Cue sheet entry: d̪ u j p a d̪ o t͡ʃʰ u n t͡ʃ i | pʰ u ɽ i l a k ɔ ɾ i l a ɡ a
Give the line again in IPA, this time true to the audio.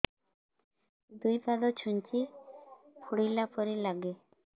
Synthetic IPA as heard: d̪ u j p a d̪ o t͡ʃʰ u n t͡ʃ i | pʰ u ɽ i l a p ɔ ɾ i l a ɡ e